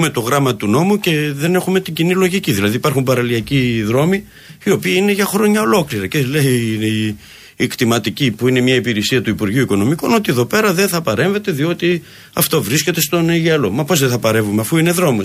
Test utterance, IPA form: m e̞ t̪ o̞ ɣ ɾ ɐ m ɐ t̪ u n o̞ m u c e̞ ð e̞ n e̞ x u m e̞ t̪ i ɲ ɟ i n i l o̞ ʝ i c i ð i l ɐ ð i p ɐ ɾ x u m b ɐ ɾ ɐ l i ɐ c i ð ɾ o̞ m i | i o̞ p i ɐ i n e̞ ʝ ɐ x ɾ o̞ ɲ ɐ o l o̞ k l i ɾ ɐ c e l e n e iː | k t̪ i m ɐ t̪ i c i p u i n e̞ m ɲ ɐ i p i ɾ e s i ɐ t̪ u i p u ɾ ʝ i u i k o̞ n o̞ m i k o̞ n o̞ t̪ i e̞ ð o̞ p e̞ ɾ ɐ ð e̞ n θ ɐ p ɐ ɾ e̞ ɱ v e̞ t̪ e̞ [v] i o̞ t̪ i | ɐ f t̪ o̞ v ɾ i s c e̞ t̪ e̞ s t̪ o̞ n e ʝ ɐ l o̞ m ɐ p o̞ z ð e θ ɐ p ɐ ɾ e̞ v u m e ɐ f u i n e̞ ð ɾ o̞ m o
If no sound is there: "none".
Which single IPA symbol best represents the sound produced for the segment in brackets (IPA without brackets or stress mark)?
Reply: ð